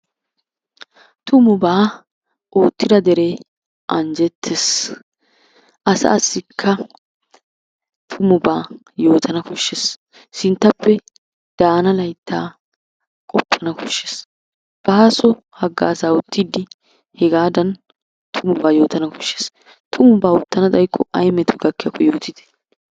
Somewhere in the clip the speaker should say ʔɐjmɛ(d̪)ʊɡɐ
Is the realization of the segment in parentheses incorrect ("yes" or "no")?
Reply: yes